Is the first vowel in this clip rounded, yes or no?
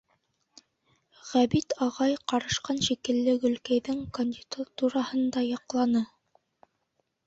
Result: no